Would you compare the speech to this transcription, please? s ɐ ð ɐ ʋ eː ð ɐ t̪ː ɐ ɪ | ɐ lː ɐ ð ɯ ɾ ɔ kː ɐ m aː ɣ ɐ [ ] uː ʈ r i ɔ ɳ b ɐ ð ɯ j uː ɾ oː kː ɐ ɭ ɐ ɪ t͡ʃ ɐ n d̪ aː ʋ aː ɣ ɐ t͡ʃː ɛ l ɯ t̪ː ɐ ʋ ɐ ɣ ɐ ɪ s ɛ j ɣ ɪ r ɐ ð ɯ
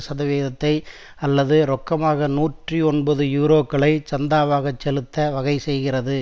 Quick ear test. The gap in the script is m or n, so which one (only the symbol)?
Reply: n